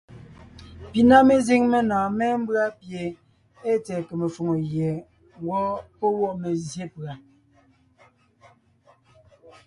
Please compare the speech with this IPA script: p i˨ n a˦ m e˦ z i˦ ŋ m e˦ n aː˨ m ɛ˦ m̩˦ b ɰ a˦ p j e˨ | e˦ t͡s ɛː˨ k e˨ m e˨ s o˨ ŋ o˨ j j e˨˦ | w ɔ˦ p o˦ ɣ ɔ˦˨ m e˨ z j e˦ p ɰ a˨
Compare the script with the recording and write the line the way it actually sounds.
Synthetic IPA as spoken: p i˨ n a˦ m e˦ z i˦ ŋ m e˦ n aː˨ m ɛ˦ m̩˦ b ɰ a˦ p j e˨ | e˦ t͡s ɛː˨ k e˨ m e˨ f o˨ ŋ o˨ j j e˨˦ | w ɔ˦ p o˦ w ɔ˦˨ m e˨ z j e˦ p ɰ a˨